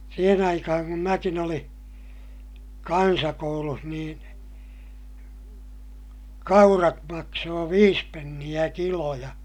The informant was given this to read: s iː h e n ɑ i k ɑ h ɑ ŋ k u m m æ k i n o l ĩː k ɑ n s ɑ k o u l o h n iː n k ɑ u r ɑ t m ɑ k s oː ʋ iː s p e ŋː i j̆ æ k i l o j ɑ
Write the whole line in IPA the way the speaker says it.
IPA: s iː h e n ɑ i k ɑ h ɑ ŋ k u m m æ k i n o l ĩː k ɑ n s ɑ k o u l u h n iː n k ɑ u r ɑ t m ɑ k s oː ʋ iː s p e nː i j̆ æ k i l o j ɑ